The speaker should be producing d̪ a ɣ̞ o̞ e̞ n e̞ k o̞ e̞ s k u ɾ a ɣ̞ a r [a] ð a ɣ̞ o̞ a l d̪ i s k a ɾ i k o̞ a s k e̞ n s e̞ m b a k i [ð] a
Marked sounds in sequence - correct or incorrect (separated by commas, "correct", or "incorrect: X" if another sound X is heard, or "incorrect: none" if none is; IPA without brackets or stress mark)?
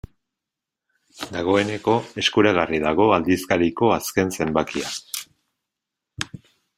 incorrect: i, incorrect: none